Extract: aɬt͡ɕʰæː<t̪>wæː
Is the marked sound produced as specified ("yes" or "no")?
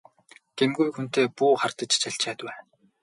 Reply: yes